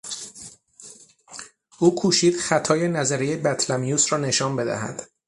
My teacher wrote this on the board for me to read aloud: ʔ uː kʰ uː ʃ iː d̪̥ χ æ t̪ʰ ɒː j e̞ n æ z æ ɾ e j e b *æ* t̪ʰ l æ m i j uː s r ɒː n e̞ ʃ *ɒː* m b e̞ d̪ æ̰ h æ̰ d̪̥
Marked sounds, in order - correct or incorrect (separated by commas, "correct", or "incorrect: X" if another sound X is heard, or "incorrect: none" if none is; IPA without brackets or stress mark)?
correct, correct